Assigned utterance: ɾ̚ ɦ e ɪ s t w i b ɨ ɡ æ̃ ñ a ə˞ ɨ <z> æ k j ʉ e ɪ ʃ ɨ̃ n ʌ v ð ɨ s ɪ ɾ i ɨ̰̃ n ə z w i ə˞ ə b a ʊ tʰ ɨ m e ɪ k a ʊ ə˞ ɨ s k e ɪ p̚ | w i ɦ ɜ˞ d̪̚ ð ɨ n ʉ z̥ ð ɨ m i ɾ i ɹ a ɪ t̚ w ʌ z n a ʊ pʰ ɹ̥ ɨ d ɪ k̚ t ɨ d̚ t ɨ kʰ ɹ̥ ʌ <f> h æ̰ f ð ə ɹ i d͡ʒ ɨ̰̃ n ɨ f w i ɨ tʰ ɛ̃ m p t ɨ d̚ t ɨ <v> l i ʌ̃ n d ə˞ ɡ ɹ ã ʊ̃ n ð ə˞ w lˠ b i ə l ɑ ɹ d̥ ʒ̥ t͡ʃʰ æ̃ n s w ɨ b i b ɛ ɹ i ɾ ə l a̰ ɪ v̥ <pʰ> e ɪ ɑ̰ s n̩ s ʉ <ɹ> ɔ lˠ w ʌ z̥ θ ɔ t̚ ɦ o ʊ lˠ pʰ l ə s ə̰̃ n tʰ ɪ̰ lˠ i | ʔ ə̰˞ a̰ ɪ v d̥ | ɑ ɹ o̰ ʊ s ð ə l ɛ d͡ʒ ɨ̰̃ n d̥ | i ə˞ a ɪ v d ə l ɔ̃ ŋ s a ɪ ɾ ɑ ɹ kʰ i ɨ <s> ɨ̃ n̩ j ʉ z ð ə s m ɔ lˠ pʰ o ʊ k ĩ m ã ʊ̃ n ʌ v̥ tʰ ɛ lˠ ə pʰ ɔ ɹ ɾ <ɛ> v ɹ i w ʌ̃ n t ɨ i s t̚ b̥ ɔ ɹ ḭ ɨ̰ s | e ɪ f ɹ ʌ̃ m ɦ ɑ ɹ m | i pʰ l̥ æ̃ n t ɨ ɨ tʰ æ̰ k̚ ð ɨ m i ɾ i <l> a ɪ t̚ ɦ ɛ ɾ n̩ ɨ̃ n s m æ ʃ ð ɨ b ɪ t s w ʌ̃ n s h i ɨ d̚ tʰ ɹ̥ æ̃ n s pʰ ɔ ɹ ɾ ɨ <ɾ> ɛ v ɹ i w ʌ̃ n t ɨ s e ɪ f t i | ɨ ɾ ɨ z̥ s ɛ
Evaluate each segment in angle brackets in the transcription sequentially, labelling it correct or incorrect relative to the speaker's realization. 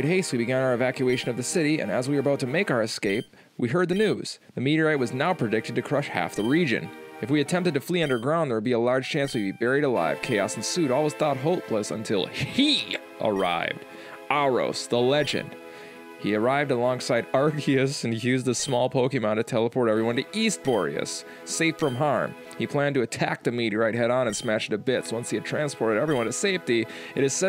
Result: incorrect: v, incorrect: ʃ, incorrect: f, incorrect: kʰ, incorrect: ɾ, correct, correct, incorrect: ɹ, correct

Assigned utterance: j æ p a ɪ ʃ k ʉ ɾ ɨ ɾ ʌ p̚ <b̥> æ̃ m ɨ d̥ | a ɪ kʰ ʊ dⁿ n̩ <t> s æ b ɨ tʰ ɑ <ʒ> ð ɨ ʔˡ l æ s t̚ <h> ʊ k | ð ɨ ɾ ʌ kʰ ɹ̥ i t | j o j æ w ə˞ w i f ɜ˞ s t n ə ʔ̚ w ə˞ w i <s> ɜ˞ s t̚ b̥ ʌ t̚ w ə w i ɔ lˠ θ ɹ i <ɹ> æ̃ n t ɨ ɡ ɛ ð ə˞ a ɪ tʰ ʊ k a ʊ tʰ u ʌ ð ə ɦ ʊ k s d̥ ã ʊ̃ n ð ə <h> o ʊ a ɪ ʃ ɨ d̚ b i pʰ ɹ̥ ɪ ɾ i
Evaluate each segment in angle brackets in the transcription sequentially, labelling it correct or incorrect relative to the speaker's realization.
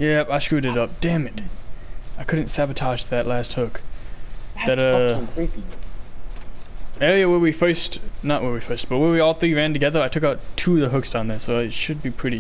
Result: incorrect: d̥, correct, correct, correct, incorrect: f, correct, incorrect: s

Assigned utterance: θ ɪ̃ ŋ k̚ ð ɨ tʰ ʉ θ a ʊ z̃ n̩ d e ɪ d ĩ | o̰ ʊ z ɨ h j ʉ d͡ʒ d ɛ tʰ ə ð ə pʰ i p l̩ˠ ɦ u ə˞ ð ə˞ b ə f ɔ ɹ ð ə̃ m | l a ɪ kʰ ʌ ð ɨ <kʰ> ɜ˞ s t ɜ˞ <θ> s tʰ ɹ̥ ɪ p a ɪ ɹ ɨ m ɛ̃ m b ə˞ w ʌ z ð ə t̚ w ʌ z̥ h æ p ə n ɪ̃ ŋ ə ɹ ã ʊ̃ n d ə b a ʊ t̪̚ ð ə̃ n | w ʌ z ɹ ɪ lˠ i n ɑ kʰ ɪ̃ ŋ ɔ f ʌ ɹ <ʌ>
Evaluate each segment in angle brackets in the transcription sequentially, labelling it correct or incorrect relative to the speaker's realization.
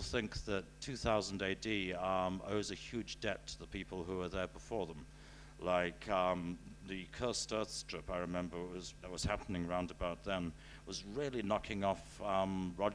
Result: correct, correct, incorrect: ɑ

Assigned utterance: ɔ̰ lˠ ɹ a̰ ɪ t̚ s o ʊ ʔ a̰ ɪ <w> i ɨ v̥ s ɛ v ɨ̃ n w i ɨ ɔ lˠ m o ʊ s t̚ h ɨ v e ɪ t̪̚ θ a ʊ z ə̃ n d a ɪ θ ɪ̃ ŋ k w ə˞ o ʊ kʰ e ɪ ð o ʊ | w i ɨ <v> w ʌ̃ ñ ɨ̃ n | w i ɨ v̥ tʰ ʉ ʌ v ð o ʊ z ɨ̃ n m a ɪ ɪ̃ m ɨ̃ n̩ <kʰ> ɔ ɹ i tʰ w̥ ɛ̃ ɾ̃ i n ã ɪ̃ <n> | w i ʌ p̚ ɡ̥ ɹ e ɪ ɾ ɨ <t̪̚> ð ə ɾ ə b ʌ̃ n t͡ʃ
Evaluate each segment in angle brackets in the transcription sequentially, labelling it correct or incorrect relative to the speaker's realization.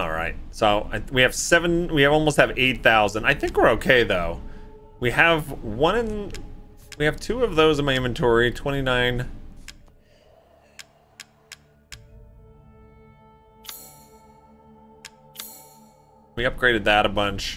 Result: correct, correct, incorrect: tʰ, correct, incorrect: d̪̚

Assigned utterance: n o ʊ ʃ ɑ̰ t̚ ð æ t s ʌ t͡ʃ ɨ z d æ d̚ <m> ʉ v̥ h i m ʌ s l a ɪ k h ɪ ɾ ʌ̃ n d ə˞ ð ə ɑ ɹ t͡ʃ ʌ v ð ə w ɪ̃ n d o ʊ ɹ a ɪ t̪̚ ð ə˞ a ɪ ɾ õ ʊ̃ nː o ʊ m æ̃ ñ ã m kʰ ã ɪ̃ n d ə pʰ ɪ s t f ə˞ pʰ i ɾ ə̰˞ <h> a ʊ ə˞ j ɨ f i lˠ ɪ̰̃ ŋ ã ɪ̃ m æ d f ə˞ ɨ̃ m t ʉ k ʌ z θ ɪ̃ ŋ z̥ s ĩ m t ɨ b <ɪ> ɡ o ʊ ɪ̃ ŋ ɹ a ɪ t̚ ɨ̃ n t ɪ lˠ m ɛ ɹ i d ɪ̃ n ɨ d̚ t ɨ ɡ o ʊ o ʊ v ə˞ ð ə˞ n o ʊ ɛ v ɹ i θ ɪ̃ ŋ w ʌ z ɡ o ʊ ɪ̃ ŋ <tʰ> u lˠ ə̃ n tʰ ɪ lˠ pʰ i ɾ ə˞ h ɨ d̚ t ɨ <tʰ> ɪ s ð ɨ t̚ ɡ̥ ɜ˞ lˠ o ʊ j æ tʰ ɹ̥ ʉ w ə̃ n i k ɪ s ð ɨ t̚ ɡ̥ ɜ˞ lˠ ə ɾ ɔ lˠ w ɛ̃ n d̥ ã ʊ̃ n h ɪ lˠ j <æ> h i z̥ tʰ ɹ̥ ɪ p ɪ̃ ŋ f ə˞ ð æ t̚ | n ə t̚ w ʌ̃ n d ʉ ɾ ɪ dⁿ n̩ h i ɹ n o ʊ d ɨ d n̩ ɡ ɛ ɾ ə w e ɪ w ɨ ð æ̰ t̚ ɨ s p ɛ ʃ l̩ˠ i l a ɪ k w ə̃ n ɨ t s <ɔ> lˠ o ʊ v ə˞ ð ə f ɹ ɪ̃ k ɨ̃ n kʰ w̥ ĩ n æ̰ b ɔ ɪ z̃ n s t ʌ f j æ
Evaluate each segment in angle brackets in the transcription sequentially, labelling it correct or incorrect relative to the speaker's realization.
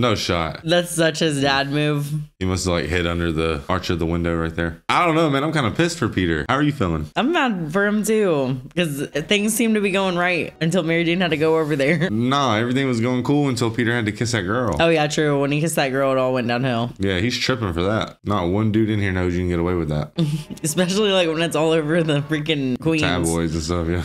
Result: correct, correct, incorrect: i, incorrect: kʰ, incorrect: kʰ, correct, correct

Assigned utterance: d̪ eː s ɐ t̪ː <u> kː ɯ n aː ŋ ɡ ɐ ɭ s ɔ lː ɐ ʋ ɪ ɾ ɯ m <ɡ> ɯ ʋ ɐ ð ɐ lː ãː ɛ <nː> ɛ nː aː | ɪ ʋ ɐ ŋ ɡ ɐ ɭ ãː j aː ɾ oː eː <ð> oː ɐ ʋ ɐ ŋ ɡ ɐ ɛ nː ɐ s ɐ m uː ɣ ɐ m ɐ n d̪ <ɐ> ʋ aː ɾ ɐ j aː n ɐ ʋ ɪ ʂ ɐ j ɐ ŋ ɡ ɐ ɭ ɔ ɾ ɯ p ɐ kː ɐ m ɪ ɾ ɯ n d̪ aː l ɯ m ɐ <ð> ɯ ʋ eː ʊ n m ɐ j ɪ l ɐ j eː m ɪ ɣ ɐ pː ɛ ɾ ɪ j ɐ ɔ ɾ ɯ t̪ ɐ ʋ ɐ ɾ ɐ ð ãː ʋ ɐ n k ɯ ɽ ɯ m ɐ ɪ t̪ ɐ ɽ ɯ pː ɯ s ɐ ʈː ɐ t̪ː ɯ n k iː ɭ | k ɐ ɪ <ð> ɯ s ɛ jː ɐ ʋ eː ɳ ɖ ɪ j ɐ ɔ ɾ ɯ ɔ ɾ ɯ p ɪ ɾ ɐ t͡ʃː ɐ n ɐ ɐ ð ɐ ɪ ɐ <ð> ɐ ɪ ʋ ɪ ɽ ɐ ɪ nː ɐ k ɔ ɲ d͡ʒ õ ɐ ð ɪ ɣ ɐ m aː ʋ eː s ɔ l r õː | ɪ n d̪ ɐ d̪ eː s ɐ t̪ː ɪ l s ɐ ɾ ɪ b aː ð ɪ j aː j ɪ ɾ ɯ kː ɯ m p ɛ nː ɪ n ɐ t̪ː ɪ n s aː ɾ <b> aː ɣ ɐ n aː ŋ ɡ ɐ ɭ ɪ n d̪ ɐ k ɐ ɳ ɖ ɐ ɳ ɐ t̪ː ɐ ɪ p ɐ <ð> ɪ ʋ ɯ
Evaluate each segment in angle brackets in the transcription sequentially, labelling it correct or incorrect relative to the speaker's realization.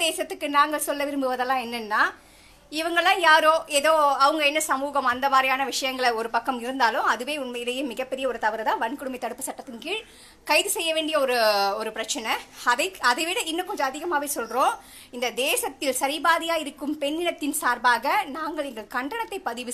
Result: incorrect: ɯ, incorrect: b, correct, correct, correct, correct, correct, correct, correct, correct

